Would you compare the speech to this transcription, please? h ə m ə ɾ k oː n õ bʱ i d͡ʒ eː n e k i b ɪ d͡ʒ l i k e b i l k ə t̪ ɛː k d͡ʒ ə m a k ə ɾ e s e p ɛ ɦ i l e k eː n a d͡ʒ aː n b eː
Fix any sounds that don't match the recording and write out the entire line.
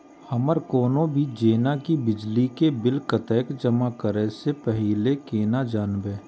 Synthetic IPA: h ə m ə ɾ k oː n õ bʱ i d͡ʒ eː n a k i b ɪ d͡ʒ l i k e b ɪ l k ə t̪ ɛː k d͡ʒ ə m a k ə ɾ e s e p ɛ ɦ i l e k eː n a d͡ʒ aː n b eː

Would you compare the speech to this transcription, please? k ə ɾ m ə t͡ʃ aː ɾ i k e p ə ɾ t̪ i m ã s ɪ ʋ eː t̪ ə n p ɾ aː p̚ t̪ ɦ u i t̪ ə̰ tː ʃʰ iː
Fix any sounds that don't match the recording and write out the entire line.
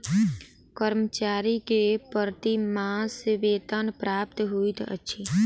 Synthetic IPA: k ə ɾ m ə t͡ʃ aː ɾ i k e p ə ɾ t̪ i m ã s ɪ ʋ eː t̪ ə n p ɾ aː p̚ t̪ ɦ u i t̪ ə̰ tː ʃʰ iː

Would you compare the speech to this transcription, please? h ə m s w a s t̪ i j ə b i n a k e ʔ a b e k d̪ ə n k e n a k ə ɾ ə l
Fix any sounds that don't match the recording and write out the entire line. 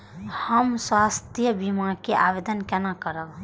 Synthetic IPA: h ə m s w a s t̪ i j ə b i m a k e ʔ a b e d̪ ə n k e n a k ə ɾ ə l

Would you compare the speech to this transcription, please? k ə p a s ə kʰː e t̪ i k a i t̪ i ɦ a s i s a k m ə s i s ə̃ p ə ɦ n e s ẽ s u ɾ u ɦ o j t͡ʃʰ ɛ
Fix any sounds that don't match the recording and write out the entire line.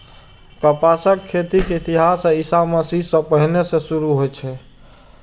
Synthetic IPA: k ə p a s ə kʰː e t̪ i k e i t̪ i ɦ a s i s a m ə s i s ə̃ p ə ɦ n e s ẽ s u ɾ u ɦ o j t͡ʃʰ ɛ

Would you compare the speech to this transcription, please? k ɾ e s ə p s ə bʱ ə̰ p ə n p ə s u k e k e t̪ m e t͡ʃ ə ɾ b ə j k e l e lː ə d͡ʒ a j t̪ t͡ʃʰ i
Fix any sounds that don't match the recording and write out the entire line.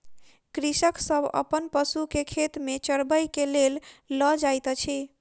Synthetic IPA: k ɾ i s ə k s ə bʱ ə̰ p ə n p ə s u k e kʰ e t̪ m e t͡ʃ ə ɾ b ə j k e l e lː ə d͡ʒ a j t̪ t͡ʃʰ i

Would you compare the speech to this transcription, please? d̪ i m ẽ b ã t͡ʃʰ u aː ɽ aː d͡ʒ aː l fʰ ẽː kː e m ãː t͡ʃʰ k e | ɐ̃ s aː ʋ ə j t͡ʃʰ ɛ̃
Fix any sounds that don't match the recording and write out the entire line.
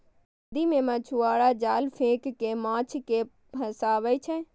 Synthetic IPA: d̪ i m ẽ m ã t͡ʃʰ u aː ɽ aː d͡ʒ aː l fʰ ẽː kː e m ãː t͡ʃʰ k e | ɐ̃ s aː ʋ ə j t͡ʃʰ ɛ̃

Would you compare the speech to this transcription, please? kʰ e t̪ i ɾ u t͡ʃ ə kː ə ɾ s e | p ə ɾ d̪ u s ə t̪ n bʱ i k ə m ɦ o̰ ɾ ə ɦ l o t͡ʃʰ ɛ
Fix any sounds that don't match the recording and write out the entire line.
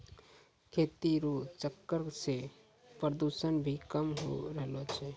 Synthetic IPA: kʰ e t̪ i ɾ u t͡ʃ ə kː ə ɾ s e | p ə ɾ d̪ u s ə n bʱ i k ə m ɦ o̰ ɾ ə ɦ l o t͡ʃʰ ɛ

